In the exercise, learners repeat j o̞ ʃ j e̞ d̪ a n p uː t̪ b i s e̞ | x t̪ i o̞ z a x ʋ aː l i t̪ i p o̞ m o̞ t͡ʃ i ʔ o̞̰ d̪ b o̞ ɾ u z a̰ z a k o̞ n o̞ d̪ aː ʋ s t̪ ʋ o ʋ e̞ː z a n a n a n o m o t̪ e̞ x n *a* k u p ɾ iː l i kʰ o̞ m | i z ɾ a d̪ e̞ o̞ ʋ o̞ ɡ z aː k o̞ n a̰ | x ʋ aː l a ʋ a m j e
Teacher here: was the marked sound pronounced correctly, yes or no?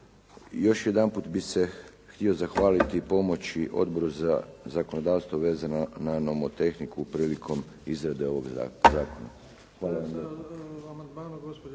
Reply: no